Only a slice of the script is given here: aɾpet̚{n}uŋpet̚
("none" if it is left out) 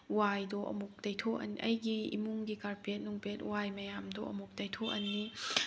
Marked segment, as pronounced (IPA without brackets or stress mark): n